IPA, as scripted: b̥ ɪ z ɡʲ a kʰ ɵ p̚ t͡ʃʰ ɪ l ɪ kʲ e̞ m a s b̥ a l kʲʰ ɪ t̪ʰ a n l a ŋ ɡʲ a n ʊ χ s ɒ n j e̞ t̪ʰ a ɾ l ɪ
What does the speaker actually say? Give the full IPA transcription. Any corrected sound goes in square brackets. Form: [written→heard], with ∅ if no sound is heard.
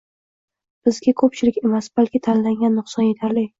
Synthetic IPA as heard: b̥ ɪ z ɡʲ a kʰ ɵ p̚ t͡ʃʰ ɪ l ɪ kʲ e̞ m a s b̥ a l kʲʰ ɪ t̪ʰ a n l a ŋ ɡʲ a [n→nː] ʊ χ s ɒ n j e̞ t̪ʰ a ɾ l ɪ